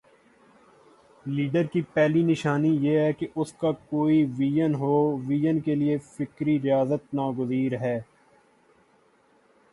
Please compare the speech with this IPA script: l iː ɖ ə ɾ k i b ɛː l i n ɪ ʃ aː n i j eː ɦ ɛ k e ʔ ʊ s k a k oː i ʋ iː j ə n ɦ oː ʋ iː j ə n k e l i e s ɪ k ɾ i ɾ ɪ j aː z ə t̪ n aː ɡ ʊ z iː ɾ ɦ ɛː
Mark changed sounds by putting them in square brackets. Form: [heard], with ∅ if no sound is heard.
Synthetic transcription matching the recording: l iː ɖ ə ɾ k i [p] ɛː l i n ɪ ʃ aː n i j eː ɦ ɛ k e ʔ ʊ s k a k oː i ʋ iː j ə n ɦ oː ʋ iː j ə n k e l i e [f] ɪ k ɾ i ɾ ɪ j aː z ə t̪ n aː ɡ ʊ z iː ɾ ɦ ɛː